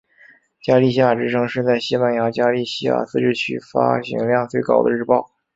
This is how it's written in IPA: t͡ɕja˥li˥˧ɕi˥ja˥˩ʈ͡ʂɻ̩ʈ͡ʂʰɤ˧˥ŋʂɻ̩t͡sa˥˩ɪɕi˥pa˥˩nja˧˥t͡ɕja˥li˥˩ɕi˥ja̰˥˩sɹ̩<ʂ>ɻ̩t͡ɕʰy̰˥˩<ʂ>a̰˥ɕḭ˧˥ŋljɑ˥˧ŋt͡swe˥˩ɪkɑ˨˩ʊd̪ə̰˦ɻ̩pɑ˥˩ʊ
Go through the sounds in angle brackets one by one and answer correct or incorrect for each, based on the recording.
incorrect, incorrect

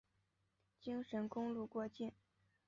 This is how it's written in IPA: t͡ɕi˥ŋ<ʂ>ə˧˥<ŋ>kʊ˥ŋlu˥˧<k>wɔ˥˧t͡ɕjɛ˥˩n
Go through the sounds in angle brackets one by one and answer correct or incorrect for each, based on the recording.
correct, incorrect, correct

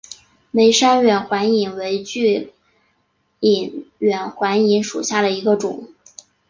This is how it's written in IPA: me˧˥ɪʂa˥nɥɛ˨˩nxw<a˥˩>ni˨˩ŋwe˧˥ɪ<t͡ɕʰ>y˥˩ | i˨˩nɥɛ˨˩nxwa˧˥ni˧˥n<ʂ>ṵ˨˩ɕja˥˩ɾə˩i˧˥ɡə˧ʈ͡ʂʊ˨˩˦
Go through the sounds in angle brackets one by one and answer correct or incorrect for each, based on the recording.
incorrect, incorrect, correct

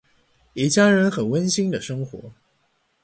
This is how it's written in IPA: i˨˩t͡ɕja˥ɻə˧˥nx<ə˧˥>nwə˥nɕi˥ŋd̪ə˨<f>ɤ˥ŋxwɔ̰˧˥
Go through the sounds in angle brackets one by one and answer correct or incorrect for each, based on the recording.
incorrect, incorrect

